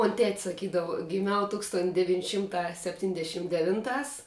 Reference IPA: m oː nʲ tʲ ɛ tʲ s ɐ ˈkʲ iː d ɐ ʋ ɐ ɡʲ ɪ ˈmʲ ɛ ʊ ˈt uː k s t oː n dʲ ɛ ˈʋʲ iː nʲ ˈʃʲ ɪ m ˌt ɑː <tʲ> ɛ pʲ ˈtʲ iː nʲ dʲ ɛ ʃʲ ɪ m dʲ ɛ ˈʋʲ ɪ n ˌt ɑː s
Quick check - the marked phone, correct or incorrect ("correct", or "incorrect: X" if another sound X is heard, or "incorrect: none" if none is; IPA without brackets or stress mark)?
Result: incorrect: sʲ